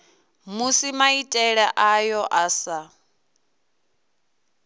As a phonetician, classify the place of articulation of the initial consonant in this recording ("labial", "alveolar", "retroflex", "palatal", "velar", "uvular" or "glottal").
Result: labial